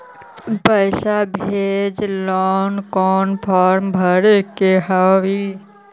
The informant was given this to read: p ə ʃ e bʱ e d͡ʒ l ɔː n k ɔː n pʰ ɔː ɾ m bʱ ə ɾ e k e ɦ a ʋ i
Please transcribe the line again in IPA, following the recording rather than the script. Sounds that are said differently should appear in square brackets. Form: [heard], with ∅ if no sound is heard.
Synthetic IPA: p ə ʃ [a] bʱ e d͡ʒ l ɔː n k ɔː n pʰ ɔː ɾ m bʱ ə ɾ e k e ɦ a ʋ i